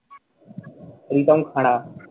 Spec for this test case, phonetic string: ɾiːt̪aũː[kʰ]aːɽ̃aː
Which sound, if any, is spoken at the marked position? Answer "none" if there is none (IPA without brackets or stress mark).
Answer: kʰ